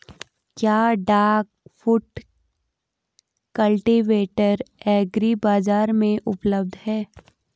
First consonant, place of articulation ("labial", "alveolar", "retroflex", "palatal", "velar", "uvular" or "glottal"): velar